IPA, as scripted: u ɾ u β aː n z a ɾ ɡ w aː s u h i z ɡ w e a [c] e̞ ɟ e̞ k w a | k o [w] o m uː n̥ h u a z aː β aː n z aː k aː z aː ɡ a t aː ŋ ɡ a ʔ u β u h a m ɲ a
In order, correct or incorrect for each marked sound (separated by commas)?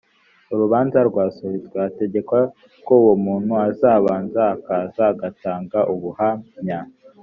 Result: incorrect, correct